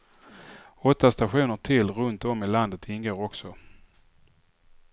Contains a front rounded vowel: no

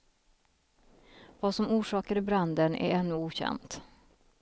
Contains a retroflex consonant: yes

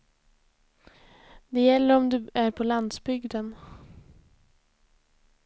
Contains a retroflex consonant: no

